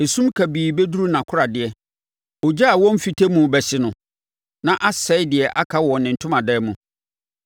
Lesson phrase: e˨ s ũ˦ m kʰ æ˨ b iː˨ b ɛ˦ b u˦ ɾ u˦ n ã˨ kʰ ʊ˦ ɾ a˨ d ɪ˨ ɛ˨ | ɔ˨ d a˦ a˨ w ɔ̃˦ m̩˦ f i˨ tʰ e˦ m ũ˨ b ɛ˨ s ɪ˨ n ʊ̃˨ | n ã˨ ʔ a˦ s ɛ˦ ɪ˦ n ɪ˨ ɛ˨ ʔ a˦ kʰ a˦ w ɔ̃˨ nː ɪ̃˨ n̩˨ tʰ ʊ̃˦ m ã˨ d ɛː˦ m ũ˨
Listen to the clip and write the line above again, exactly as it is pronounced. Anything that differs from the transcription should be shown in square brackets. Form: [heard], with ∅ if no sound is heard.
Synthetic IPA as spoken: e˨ s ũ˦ m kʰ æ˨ b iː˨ b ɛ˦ [d] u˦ ɾ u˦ n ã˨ kʰ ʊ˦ ɾ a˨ d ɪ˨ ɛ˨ | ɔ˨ [d͡ʑ] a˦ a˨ w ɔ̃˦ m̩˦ f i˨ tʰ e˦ m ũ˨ b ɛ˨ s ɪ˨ n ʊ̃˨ | n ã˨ ʔ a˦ s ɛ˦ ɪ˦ [d] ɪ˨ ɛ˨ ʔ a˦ kʰ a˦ w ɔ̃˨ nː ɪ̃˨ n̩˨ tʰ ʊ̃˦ m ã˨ d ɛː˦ m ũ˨